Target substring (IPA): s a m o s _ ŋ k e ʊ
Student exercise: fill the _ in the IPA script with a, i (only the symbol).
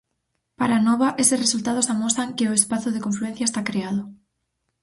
a